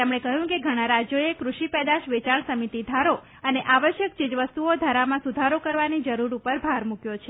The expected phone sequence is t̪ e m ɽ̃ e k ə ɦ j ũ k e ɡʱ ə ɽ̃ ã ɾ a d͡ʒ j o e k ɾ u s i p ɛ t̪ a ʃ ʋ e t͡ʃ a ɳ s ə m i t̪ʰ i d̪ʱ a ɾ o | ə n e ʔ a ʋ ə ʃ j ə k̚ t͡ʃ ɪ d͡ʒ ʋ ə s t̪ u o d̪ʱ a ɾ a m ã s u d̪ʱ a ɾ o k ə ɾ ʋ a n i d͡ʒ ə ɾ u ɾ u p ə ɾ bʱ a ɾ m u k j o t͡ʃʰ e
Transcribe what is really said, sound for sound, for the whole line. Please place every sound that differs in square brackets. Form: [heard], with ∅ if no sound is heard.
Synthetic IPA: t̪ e m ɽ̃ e k ə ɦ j ũ k e ɡʱ ə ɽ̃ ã ɾ a d͡ʒ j o e k ɾ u [ʃ] i p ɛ [d̪] a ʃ ʋ e t͡ʃ a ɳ s ə m i [t̪] i d̪ʱ a ɾ o | ə n e ʔ a ʋ ə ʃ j ə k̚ t͡ʃ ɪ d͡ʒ ʋ ə s t̪ u o d̪ʱ a ɾ a m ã s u d̪ʱ a ɾ o k ə ɾ ʋ a n i d͡ʒ ə ɾ u ɾ u p ə ɾ bʱ a ɾ m u k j o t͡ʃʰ e